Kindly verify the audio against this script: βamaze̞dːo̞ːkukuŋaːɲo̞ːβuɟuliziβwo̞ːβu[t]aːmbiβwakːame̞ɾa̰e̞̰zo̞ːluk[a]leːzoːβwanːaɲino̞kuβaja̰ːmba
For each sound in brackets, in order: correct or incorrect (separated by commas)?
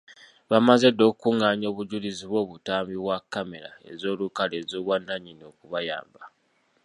correct, correct